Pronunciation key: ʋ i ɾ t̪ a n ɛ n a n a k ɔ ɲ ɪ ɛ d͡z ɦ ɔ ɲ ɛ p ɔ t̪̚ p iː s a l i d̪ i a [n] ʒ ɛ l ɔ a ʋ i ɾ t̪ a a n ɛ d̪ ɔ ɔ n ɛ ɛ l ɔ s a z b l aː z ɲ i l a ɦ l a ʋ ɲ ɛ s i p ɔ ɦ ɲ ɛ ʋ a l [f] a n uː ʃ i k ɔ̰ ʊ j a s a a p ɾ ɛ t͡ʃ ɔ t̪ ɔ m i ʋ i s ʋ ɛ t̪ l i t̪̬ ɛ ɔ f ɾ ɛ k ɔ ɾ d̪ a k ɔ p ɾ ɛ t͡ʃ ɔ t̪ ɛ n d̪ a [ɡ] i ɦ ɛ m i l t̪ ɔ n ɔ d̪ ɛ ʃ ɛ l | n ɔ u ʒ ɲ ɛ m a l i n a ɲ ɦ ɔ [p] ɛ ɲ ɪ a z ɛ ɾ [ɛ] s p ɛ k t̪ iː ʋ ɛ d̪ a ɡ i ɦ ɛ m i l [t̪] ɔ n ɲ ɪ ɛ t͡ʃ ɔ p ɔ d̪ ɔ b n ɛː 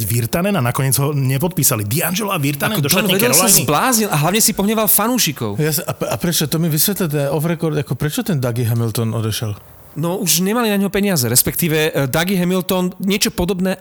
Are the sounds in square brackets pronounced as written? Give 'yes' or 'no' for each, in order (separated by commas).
yes, yes, yes, yes, yes, yes